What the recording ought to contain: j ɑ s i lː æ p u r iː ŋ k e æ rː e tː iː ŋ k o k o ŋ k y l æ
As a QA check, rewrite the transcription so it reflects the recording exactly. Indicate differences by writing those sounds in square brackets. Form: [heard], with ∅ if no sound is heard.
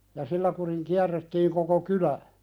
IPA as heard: j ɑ s i lː æ [k] u r [i] ŋ k [i] æ rː e tː iː ŋ k o k o [∅] k y l æ